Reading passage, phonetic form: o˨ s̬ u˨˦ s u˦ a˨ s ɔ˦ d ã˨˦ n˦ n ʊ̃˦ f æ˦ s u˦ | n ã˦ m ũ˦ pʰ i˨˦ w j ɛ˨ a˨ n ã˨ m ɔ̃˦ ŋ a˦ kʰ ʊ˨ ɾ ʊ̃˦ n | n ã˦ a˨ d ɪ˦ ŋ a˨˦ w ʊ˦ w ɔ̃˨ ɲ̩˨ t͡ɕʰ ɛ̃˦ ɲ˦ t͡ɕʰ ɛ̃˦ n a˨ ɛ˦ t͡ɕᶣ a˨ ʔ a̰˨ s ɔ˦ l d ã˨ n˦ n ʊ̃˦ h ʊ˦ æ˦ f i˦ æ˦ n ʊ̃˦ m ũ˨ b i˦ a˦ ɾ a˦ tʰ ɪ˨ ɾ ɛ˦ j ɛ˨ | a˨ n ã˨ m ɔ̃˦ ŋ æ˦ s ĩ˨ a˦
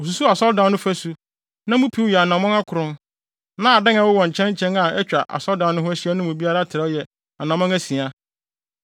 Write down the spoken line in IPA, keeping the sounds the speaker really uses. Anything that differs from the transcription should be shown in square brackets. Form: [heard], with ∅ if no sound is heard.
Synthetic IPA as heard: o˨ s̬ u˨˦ s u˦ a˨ s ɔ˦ d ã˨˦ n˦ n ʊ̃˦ f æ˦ s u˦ | n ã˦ m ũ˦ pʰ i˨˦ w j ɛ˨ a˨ n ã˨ m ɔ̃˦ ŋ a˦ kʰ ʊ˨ ɾ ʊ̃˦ n | n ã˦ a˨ d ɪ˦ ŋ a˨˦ w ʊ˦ w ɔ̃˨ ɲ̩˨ t͡ɕʰ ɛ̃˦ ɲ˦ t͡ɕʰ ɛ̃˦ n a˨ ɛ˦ t͡ɕᶣ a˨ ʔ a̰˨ s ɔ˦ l d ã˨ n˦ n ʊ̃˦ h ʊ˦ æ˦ [ɕ] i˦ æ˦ n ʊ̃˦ m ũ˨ b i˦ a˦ ɾ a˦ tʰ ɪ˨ ɾ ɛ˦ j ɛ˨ | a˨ n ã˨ m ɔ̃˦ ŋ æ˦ s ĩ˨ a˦